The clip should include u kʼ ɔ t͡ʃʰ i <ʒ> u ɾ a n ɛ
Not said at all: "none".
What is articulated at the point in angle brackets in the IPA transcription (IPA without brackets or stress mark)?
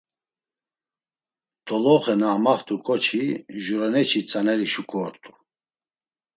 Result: ʒ